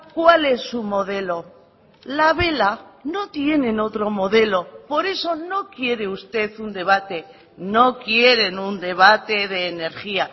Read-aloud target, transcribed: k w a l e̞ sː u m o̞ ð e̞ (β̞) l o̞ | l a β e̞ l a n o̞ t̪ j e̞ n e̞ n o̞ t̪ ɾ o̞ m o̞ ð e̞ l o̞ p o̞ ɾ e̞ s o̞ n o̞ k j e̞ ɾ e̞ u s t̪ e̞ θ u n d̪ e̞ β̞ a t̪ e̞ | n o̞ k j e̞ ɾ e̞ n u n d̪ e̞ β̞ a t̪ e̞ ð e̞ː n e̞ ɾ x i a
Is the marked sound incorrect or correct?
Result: incorrect